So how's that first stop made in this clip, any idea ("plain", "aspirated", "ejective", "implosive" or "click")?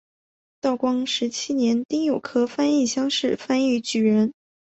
plain